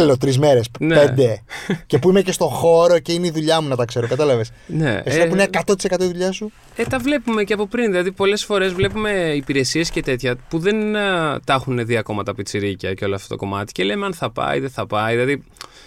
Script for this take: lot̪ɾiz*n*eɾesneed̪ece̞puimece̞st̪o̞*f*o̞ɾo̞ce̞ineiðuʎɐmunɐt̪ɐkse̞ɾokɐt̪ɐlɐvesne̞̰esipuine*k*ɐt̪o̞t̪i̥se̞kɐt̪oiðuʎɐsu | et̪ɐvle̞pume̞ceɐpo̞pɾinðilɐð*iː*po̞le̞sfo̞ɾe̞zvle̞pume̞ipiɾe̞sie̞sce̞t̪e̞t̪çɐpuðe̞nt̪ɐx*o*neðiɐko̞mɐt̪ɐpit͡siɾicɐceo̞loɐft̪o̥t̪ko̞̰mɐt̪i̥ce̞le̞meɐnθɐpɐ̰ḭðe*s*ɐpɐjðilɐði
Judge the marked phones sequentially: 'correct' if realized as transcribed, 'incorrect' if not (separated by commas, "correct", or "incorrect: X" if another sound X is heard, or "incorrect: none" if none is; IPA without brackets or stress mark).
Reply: incorrect: m, incorrect: x, correct, incorrect: i, incorrect: u, incorrect: θ